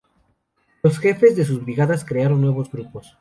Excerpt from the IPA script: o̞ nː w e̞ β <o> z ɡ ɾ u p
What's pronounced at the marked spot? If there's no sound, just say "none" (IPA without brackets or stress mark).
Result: o